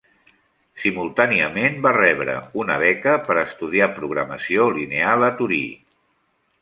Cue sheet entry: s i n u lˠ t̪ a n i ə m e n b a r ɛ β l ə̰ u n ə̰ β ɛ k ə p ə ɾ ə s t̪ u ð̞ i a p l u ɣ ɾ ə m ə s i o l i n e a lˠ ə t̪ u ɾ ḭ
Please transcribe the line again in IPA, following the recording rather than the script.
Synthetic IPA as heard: s i m u lˠ t̪ a n i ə m e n b a r ɛ β ɾ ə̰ u n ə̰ β ɛ k ə p ə ɾ ə s t̪ u ð̞ i a p ɾ u ɣ ɾ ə m ə s i o l i n e a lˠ ə t̪ u ɾ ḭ